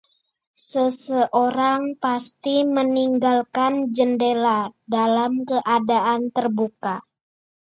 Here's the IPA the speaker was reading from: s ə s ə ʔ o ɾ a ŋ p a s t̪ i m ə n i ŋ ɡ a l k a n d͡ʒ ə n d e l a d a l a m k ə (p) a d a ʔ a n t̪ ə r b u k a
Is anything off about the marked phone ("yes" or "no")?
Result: yes